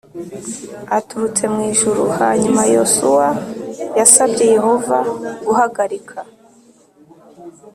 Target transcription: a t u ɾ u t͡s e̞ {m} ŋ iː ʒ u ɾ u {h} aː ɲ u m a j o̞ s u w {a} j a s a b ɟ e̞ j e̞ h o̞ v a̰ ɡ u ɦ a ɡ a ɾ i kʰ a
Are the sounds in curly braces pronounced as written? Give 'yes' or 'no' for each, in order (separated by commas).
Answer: yes, yes, yes